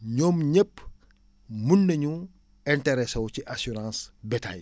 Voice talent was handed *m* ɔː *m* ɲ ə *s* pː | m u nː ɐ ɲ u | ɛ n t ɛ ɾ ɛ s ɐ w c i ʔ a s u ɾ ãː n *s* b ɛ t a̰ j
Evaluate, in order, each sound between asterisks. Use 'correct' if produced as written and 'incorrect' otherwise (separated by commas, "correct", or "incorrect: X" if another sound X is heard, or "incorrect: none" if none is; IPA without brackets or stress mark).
incorrect: ɲ, correct, incorrect: none, correct